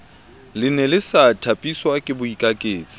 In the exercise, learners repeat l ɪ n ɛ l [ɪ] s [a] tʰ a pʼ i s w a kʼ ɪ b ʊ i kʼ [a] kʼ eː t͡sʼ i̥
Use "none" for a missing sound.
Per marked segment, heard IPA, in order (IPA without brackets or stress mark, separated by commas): ɪ, a, a